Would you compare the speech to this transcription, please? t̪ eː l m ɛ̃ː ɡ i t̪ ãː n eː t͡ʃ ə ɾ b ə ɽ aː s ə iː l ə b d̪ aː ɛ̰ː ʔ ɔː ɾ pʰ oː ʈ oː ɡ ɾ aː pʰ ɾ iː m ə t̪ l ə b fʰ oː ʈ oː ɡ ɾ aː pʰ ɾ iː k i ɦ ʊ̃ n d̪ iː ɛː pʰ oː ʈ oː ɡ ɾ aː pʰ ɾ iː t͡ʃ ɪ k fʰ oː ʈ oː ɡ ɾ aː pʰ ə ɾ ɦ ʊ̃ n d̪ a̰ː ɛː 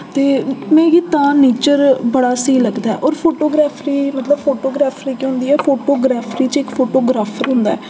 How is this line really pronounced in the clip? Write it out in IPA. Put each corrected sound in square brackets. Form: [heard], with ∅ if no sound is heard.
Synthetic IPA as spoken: t̪ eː [∅] m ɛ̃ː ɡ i t̪ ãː n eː t͡ʃ ə ɾ b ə ɽ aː s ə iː l ə [ɡ] d̪ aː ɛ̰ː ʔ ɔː ɾ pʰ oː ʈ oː ɡ ɾ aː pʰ ɾ iː m ə t̪ l ə b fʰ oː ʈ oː ɡ ɾ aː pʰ ɾ iː k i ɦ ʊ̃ n d̪ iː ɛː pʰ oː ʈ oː ɡ ɾ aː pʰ ɾ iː t͡ʃ ɪ k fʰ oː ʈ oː ɡ ɾ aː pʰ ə ɾ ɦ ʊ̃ n d̪ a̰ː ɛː